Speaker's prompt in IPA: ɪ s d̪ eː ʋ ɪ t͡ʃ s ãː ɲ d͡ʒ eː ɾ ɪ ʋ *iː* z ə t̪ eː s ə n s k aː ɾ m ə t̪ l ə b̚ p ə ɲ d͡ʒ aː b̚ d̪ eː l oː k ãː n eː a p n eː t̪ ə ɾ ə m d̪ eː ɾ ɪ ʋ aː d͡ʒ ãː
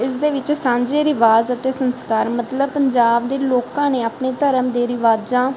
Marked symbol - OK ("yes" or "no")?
no